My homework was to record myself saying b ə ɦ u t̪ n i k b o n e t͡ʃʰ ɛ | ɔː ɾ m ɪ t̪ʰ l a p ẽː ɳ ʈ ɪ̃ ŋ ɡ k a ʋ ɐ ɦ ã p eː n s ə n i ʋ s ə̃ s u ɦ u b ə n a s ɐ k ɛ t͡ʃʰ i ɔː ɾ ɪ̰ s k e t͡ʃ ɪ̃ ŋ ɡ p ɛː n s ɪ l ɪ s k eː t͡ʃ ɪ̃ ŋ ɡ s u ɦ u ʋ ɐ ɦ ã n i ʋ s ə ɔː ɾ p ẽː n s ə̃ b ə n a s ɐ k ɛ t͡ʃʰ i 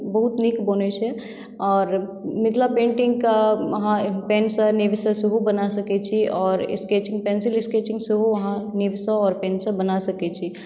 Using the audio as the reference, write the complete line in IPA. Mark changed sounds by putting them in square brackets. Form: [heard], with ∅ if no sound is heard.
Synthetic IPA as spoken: b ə ɦ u t̪ n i k b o n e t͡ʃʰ ɛ | ɔː ɾ m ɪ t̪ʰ l a p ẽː ɳ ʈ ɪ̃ ŋ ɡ k a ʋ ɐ ɦ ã p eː n s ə n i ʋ s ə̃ s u ɦ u b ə n a s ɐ k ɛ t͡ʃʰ i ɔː ɾ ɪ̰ s k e t͡ʃ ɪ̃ ŋ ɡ p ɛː n s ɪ l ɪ s k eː t͡ʃ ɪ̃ ŋ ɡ s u ɦ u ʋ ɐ ɦ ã n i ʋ s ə ɔː ɾ p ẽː n s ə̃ b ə n a s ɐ k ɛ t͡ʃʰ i